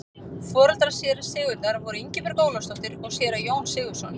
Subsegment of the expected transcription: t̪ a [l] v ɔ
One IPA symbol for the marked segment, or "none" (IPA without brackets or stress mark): ɾ